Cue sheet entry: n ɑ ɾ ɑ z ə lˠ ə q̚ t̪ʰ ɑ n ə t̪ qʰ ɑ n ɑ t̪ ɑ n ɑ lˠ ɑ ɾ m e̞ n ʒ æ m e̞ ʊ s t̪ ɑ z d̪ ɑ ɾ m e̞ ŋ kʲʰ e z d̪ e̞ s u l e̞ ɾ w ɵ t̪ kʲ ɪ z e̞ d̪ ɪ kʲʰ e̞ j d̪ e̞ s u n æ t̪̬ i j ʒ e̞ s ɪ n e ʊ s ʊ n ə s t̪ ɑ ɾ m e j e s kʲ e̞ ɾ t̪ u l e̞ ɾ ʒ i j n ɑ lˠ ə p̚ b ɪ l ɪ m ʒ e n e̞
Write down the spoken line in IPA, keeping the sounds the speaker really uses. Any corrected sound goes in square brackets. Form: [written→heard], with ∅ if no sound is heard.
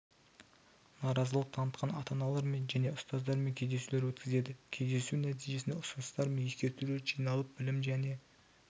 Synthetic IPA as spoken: n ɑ ɾ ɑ z ə lˠ ə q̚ t̪ʰ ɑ n ə t̪ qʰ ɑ n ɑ t̪ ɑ n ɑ lˠ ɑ ɾ m e̞ n ʒ æ [m→n] e̞ ʊ s t̪ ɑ z d̪ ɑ ɾ m e̞ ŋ kʲʰ e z d̪ e̞ s u l e̞ ɾ w ɵ t̪ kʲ ɪ z e̞ d̪ ɪ kʲʰ e̞ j d̪ e̞ s u n æ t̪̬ i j ʒ e̞ s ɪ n e ʊ s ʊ n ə s t̪ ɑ ɾ m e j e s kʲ e̞ ɾ t̪ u l e̞ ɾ ʒ i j n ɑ lˠ ə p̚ b ɪ l ɪ m ʒ [e→æ] n e̞